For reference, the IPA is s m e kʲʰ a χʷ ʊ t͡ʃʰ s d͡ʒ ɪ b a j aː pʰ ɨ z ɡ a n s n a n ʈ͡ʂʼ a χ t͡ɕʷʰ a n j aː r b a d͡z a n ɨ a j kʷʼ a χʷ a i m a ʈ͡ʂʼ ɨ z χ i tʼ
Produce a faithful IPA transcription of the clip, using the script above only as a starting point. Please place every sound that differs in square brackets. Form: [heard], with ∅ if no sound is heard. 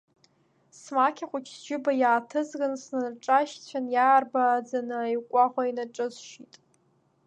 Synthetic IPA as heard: s m [a] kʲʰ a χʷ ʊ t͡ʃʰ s d͡ʒ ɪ b a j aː [tʰ] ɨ z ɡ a n s n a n ʈ͡ʂʼ a [ʃ] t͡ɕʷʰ a n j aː r b a d͡z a n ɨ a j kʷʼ a χʷ a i [n] a ʈ͡ʂʼ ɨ z [ʃ] i tʼ